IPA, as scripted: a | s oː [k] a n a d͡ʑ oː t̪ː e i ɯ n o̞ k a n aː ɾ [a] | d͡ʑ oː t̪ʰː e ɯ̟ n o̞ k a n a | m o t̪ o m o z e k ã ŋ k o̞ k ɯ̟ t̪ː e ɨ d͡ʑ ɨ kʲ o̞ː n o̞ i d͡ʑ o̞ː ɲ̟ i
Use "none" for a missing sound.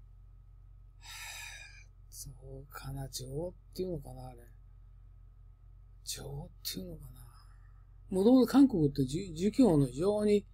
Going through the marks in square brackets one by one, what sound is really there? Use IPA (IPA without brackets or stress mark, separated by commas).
kʰ, e